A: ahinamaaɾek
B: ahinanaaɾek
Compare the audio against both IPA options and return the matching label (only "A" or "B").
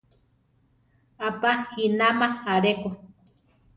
A